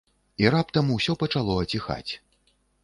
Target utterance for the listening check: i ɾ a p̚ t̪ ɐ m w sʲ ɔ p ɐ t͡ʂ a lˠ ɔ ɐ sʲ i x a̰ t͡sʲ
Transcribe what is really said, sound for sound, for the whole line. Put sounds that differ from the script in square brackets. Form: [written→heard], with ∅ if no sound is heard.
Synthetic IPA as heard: i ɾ a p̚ t̪ ɐ m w sʲ ɔ p ɐ t͡ʂ a lˠ ɔ ɐ [sʲ→t͡sʲ] i x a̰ t͡sʲ